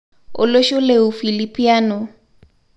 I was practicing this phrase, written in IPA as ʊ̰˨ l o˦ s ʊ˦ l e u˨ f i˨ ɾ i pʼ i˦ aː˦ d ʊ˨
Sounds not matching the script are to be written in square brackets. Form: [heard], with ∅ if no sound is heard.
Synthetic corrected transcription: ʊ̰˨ l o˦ [ʃ] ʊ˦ l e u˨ f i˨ [l] i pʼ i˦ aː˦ [n] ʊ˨